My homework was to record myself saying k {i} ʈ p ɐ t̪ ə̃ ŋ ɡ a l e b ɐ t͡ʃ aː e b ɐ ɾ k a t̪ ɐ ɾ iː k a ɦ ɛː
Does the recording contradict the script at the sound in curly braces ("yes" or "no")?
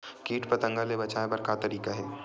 yes